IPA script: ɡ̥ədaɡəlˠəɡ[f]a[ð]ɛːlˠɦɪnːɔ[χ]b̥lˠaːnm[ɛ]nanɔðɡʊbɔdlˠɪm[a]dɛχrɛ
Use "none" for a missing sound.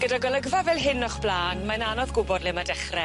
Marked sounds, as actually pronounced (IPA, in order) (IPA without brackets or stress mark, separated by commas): v, v, χ, a, a